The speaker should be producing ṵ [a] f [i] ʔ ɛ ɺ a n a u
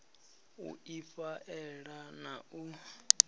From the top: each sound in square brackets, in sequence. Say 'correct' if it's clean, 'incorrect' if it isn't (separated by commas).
incorrect, incorrect